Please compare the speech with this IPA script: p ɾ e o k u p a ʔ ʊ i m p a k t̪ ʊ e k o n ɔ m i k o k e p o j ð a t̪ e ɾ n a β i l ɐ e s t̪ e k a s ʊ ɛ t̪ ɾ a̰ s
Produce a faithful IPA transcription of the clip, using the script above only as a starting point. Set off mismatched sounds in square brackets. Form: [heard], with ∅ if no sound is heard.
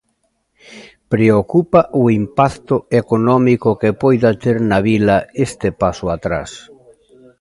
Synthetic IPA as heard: p ɾ e o k u p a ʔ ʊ i m p a k t̪ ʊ e k o n ɔ m i k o k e p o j ð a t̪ e ɾ n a β i l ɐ e s t̪ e [p] a s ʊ [a] t̪ ɾ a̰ s